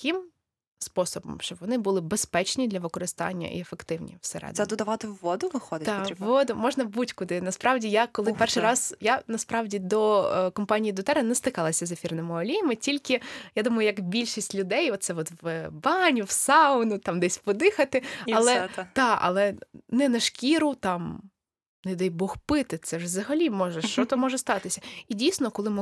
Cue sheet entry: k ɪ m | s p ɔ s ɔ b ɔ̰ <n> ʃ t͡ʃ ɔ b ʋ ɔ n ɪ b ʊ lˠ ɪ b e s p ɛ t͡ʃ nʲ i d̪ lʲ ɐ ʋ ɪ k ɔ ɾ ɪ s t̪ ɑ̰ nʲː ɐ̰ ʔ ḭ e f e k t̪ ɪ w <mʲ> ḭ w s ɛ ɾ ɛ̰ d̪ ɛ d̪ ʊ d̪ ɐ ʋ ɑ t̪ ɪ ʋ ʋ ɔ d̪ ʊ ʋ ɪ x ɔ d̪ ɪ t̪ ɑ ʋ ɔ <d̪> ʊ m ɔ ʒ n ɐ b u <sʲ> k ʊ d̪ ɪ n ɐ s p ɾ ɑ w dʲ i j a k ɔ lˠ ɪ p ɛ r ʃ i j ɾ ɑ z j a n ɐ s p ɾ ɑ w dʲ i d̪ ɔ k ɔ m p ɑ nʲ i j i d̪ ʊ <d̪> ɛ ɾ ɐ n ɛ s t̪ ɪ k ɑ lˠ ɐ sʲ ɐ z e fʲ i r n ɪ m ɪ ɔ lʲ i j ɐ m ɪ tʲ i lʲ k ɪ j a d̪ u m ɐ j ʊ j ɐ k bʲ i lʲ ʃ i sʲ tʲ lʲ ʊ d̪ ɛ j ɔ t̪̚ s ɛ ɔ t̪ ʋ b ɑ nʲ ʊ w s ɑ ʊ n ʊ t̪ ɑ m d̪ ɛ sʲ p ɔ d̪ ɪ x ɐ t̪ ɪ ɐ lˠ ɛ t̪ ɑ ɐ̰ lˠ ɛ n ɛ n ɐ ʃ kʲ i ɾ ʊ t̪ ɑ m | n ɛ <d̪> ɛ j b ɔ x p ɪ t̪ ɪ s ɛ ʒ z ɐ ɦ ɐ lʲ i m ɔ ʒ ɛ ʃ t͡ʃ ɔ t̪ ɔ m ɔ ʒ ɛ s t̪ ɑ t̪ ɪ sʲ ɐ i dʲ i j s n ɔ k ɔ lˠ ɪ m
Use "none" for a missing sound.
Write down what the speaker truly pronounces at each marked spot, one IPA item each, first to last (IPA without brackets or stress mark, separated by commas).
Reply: m, nʲ, d̪, tʲ, t̪, d̪